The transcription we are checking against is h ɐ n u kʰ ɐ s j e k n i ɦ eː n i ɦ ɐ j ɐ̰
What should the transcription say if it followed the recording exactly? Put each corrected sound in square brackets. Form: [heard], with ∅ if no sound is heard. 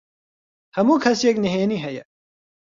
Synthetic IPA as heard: h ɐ [m] u kʰ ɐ s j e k n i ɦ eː n i ɦ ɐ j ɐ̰